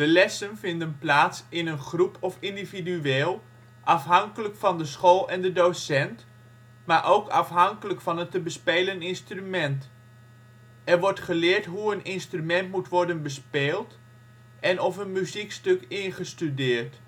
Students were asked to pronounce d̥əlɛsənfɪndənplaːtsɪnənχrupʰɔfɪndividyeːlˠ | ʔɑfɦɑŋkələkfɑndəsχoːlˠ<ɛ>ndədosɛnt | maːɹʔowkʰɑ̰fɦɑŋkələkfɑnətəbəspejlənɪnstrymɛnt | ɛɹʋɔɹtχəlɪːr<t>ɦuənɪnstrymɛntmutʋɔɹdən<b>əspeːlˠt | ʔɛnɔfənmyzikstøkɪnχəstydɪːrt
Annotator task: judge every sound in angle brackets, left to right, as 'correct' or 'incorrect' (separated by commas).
correct, correct, correct